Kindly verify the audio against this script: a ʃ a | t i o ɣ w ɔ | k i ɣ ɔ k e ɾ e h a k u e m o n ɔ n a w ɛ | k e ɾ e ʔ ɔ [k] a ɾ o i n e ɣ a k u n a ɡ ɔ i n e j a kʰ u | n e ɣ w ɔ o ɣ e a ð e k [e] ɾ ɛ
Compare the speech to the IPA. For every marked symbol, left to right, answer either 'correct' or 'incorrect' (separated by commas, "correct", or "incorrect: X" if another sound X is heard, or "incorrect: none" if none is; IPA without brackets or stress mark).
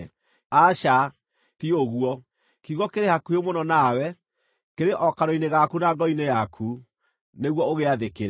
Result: correct, correct